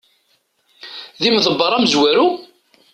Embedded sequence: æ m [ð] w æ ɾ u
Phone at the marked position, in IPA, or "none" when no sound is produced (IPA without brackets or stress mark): z